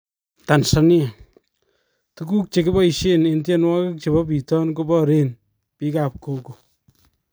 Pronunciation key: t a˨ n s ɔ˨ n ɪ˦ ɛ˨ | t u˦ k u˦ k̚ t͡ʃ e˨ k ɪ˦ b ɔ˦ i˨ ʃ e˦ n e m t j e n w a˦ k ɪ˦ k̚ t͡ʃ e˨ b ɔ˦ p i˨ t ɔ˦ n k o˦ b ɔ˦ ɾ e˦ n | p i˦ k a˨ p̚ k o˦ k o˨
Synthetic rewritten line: t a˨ n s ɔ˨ n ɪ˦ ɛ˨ | t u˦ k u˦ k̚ t͡ʃ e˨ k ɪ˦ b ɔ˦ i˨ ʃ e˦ n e n t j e n w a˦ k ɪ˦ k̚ t͡ʃ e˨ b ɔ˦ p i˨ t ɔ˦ n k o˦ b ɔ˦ ɾ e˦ n | p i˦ k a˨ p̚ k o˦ k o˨